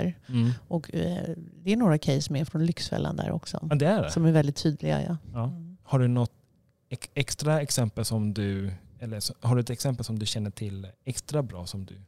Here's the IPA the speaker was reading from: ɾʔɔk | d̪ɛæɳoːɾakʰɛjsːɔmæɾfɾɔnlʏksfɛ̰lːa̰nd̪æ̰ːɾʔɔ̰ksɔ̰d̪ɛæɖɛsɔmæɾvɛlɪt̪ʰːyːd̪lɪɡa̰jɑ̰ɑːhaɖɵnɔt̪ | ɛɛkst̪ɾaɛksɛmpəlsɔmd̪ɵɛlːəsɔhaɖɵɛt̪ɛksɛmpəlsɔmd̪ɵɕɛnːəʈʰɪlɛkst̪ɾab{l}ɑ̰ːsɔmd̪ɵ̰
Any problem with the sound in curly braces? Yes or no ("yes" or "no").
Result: yes